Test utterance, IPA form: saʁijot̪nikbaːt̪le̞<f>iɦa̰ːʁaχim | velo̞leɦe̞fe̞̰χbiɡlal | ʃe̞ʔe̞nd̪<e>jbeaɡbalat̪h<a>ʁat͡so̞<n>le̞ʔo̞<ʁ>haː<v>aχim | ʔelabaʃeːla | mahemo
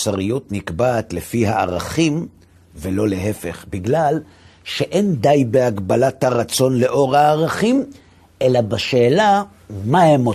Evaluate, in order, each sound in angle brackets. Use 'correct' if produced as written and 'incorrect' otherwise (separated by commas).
correct, incorrect, correct, correct, correct, incorrect